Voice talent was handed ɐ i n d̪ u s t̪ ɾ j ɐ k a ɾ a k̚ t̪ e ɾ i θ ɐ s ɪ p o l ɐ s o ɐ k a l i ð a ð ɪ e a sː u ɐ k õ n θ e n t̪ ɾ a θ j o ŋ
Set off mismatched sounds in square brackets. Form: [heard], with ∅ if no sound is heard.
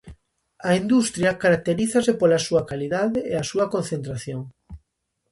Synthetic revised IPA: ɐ i n d̪ u s t̪ ɾ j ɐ k a ɾ a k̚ t̪ e ɾ i θ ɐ s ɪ p o l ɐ s [u] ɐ k a l i ð a ð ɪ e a [s] u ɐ k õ n θ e n t̪ ɾ a θ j o ŋ